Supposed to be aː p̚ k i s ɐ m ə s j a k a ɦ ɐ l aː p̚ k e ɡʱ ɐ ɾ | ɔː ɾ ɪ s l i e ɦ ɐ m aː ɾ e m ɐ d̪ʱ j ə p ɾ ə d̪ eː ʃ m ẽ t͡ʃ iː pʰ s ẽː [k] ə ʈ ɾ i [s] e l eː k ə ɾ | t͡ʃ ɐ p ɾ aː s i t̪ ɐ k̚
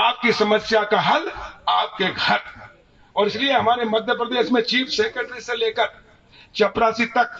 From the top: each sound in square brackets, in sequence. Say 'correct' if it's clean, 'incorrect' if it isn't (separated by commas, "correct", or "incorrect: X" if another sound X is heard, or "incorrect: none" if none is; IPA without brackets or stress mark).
correct, correct